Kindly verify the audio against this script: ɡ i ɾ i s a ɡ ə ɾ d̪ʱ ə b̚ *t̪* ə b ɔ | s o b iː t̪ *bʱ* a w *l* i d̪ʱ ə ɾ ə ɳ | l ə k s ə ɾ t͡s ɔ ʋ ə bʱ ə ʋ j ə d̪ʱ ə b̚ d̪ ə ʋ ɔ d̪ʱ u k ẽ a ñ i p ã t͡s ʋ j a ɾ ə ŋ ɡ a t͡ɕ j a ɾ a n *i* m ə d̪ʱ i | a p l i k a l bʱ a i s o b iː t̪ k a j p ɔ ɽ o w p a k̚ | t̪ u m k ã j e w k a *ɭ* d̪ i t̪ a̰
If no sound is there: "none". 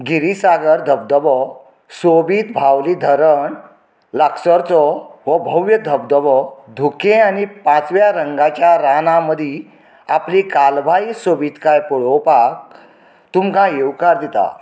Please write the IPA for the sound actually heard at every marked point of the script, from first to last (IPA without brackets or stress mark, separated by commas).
d̪, bʱ, l, a, ɾ